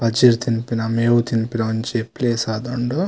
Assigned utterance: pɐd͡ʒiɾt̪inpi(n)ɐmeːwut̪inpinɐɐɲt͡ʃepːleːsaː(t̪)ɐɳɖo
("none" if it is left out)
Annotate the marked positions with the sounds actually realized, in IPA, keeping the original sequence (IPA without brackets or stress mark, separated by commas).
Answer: n, d̪